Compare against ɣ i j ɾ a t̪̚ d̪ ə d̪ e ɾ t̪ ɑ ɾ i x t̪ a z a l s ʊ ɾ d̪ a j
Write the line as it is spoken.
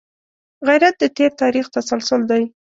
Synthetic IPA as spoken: ɣ a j ɾ a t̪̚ d̪ ə t̪ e ɾ t̪ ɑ ɾ i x t̪ a s a l s ʊ l d̪ a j